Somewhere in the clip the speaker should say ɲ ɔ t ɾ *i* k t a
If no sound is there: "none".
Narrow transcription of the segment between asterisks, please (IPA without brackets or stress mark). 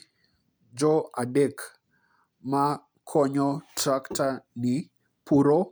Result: a